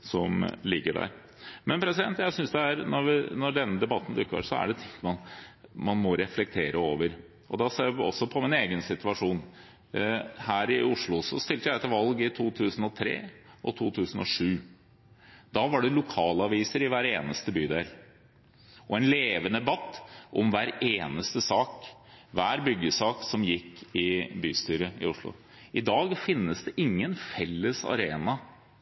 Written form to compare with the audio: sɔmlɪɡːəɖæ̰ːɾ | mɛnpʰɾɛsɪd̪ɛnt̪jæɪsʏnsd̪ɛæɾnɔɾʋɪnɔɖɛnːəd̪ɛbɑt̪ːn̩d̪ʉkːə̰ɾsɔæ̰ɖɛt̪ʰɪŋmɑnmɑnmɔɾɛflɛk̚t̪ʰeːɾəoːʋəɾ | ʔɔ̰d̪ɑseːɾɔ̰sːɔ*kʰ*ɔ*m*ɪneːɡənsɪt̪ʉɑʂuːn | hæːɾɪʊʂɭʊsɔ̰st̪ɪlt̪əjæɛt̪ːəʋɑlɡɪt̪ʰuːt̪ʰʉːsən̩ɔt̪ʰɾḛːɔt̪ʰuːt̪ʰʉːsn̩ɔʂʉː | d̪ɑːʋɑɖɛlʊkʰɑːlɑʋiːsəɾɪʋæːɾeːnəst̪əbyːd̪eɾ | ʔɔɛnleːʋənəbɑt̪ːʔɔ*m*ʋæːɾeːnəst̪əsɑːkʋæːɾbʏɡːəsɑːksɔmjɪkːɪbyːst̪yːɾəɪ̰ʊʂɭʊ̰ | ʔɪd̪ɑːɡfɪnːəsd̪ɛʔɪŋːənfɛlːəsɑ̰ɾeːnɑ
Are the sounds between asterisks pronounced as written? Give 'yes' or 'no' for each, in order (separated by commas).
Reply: no, yes, yes